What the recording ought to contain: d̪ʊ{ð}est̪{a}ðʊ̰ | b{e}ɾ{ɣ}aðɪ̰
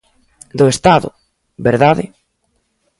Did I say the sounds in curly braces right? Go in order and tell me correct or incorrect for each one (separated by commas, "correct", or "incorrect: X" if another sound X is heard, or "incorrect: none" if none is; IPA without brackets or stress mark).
incorrect: none, correct, correct, incorrect: ð